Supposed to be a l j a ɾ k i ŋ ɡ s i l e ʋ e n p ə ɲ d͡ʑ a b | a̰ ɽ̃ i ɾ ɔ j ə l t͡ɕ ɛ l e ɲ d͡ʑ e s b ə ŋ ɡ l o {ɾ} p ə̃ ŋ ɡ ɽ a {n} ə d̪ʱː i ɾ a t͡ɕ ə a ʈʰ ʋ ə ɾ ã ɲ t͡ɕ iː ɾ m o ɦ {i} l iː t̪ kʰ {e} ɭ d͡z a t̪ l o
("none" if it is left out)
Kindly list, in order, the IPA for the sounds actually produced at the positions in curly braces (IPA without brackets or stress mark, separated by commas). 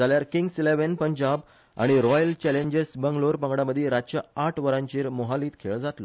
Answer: ɾ, m, a, e